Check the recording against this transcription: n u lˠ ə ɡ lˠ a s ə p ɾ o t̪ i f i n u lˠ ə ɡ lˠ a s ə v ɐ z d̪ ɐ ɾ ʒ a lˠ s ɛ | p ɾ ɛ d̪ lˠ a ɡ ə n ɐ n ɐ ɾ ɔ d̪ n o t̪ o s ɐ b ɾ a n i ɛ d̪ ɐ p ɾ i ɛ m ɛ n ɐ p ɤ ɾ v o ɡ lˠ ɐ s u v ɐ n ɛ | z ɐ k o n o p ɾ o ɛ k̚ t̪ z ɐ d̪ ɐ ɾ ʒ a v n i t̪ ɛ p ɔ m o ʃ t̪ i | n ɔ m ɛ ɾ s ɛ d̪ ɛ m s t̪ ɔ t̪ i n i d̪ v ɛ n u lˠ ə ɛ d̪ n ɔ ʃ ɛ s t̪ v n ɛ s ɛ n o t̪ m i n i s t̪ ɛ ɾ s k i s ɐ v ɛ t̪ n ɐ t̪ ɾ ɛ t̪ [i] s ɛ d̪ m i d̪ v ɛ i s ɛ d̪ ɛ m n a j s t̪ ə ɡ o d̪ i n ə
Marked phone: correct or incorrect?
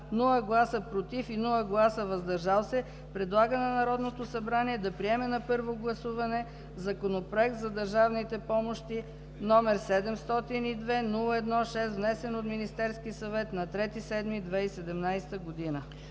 correct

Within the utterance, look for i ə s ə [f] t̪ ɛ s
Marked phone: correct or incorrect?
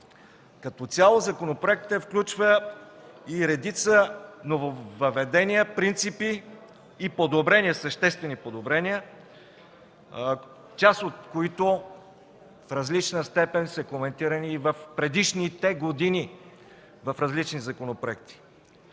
incorrect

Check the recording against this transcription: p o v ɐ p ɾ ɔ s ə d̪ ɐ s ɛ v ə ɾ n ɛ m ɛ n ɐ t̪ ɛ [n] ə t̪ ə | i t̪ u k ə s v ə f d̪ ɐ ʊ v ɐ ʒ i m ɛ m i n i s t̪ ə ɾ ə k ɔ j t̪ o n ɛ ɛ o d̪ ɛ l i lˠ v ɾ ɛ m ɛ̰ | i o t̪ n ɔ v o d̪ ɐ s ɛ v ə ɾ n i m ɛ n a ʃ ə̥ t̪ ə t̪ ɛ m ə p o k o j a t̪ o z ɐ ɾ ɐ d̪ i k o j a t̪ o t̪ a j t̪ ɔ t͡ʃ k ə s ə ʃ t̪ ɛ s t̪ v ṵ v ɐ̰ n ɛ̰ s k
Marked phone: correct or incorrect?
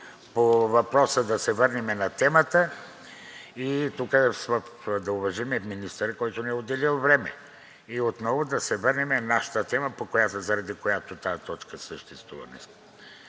incorrect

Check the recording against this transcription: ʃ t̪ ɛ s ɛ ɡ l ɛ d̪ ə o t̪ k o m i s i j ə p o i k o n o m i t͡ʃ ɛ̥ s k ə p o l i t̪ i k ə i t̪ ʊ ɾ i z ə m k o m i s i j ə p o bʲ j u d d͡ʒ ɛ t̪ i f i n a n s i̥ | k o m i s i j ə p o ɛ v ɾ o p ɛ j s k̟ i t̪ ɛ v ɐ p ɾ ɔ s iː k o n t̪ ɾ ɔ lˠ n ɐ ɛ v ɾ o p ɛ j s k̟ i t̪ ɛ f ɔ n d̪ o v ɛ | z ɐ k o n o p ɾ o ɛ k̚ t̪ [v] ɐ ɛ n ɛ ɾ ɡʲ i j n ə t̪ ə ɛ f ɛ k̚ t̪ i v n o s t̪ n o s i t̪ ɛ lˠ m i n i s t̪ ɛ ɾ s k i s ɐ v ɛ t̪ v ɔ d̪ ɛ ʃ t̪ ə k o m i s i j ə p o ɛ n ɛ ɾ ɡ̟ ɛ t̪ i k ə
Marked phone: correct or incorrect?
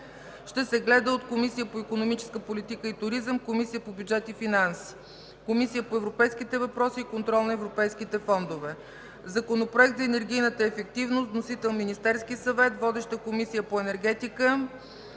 incorrect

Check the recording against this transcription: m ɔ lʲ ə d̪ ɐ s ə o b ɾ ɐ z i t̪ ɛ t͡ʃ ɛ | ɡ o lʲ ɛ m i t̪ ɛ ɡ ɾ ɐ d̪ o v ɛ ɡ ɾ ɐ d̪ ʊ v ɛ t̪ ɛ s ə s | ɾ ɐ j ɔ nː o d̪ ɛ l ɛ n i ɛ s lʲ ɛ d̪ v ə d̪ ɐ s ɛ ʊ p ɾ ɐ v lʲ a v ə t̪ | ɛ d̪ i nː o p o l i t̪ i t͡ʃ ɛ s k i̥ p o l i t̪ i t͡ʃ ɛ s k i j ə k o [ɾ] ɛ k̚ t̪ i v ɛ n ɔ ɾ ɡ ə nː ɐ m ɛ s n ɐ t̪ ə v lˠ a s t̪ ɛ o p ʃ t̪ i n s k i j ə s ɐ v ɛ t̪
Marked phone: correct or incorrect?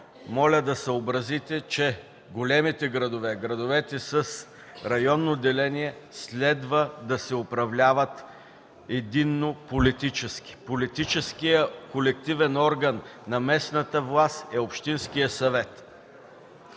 incorrect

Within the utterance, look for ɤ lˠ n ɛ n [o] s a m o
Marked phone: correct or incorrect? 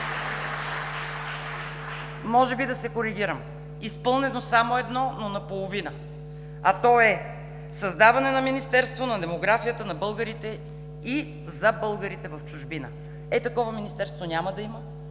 correct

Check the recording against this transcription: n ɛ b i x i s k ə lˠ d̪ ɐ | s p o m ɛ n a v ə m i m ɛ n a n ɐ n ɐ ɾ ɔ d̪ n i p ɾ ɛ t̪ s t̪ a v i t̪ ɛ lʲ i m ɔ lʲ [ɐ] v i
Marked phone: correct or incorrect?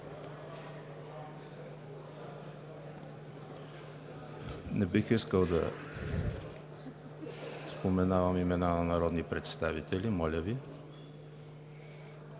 incorrect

